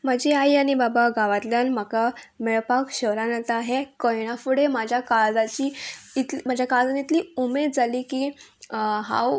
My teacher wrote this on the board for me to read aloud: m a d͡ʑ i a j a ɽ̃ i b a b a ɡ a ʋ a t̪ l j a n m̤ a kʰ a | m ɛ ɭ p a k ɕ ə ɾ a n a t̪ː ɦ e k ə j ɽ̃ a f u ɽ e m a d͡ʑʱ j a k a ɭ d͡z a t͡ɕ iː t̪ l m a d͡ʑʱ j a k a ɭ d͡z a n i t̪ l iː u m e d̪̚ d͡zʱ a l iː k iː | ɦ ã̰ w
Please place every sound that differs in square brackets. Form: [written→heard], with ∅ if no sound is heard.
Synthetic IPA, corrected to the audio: m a d͡ʑ i a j a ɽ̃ i b a b a ɡ a ʋ a t̪ l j a n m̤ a [kʰ→k] a | m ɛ ɭ p a k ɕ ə ɾ a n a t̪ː ɦ e k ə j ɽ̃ a f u ɽ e m a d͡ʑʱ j a k a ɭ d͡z a t͡ɕ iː t̪ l m a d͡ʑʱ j a k a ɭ d͡z a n i t̪ l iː u m e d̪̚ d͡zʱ a l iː k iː | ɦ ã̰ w

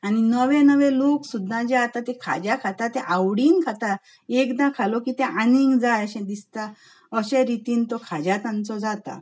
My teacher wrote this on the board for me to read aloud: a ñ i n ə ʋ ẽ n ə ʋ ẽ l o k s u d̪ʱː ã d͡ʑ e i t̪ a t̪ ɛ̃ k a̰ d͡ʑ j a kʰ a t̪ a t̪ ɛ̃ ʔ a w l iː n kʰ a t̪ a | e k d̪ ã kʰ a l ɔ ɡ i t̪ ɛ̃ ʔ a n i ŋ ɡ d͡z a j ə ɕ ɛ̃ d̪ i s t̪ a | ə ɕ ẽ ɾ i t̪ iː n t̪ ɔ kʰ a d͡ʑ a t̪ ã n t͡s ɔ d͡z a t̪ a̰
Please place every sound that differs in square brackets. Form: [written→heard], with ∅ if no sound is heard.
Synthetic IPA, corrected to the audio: a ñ i n ə ʋ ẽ n ə ʋ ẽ l o k s u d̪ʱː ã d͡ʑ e [i→a] t̪ a t̪ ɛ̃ [k→kʰ] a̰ d͡ʑ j a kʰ a t̪ a t̪ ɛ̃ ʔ a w [l→ɽ] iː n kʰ a t̪ a | e k d̪ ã kʰ a l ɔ [ɡ→k] i t̪ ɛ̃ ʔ a n i ŋ ɡ d͡z a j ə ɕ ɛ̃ d̪ i s t̪ a | ə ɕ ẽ ɾ i t̪ iː n t̪ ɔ kʰ a d͡ʑ a t̪ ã n t͡s ɔ d͡z a t̪ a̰

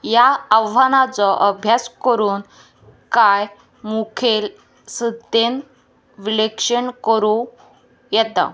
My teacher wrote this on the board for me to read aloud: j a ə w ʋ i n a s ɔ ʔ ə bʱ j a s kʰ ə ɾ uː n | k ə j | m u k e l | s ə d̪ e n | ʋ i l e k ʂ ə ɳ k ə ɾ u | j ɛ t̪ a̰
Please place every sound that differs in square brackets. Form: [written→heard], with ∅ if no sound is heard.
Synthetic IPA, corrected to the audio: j a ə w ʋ [i→a] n a [s→t͡s] ɔ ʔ ə bʱ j a s [kʰ→k] ə ɾ uː n | k [ə→a] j | m u [k→kʰ] e l | s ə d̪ e n | ʋ i l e k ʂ ə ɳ k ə ɾ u | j ɛ t̪ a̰

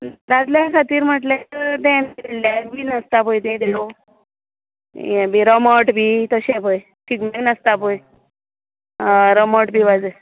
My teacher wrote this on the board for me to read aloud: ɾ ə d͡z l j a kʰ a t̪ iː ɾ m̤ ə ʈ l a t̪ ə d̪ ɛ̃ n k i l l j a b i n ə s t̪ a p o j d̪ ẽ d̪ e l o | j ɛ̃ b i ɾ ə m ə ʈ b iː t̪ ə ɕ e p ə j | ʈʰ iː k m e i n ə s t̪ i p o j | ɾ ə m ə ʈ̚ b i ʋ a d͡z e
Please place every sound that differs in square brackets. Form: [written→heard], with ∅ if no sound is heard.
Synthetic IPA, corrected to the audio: ɾ [ə→a] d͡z l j a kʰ a t̪ iː ɾ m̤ ə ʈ l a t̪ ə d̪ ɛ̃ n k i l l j a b i n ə s t̪ a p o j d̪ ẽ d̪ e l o | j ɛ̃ b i ɾ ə m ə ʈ b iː t̪ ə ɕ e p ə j | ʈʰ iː k m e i n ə s t̪ [i→a] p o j | ɾ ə m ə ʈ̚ b i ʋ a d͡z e

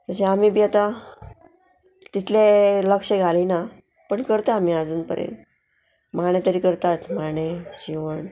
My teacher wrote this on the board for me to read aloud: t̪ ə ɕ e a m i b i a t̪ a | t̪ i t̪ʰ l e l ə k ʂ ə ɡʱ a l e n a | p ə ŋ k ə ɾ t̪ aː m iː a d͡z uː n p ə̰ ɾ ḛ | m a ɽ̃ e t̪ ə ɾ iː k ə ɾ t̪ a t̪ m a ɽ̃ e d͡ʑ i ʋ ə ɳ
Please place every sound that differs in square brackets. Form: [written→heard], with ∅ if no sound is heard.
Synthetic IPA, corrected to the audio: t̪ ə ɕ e a m i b i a t̪ a | t̪ i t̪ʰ l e l ə k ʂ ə ɡʱ a l [e→i] n a | p ə [ŋ→ɳ] k ə ɾ t̪ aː m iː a d͡z uː n p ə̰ ɾ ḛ | m a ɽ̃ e t̪ ə ɾ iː k ə ɾ t̪ a t̪ m a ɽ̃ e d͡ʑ i ʋ ə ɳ

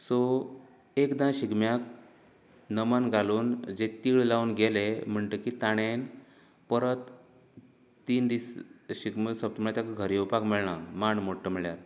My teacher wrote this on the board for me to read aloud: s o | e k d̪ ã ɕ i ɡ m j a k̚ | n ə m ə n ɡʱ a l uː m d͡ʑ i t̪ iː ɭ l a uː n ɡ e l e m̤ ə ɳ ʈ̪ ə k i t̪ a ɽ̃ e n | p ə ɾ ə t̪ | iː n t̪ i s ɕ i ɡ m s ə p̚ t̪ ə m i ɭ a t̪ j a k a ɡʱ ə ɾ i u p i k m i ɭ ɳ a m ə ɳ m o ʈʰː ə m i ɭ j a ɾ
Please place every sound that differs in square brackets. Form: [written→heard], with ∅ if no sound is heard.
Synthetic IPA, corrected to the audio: s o | e k d̪ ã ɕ i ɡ m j a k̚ | n ə m ə n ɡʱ a l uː [m→n] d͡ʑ [i→e] t̪ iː ɭ l a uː n ɡ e l e m̤ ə ɳ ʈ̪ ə k i t̪ a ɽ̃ e n | p ə ɾ ə t̪ | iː n [t̪→d̪] i s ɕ i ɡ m s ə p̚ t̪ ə m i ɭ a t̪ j a k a ɡʱ ə ɾ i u p [i→a] k m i ɭ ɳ a m [ə→a] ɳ m o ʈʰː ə m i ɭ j a ɾ

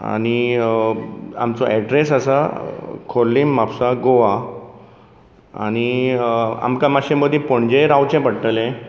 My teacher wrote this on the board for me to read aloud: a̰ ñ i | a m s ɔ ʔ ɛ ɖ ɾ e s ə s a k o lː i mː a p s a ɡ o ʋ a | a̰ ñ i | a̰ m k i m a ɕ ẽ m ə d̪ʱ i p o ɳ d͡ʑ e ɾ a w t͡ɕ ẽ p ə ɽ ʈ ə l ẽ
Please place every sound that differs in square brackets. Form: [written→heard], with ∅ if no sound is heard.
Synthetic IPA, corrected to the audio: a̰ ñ i | a m [s→t͡s] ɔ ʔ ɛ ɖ ɾ e s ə s a [k→kʰ] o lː i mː a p s a ɡ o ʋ a | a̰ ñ i | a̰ m k [i→a] m a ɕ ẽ m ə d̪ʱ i p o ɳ d͡ʑ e ɾ a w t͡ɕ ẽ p ə ɽ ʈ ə l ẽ

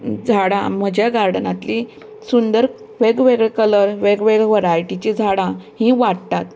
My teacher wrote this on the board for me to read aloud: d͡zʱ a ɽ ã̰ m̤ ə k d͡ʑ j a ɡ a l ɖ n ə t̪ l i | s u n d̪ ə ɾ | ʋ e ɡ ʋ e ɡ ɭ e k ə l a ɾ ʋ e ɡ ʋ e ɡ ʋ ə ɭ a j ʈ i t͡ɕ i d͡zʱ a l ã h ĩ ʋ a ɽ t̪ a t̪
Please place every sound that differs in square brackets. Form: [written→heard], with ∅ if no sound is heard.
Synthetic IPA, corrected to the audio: d͡zʱ a ɽ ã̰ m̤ ə [k→∅] d͡ʑ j a ɡ a [l→ɾ] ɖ n [ə→a] t̪ l i | s u n d̪ ə ɾ | ʋ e ɡ ʋ e ɡ ɭ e k ə l [a→ə] ɾ ʋ e ɡ ʋ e ɡ ʋ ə [ɭ→ɾ] a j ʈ i t͡ɕ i d͡zʱ a [l→ɽ] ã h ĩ ʋ a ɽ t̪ a t̪

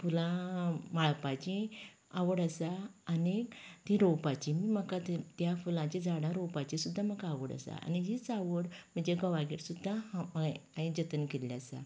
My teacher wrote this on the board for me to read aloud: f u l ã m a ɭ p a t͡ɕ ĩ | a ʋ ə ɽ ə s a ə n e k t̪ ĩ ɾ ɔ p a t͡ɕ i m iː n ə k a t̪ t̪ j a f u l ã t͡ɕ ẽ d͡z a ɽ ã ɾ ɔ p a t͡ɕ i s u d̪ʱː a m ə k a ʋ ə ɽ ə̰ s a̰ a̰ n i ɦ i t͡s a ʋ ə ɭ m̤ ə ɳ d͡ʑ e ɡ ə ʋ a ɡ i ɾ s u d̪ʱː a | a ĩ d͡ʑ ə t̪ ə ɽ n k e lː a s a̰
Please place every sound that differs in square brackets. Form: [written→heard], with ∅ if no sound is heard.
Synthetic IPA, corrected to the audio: f u l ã m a ɭ p a t͡ɕ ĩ | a ʋ ə ɽ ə s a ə n e k t̪ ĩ ɾ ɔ p a t͡ɕ i m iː [n→m] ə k a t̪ t̪ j a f u l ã t͡ɕ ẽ d͡z a ɽ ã ɾ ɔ p a t͡ɕ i s u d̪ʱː a m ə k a ʋ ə ɽ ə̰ s a̰ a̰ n i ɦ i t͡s a ʋ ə [ɭ→ɽ] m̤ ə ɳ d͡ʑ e ɡ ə ʋ a ɡ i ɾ s u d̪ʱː a | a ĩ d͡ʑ ə t̪ ə [ɽ→∅] n k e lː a s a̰

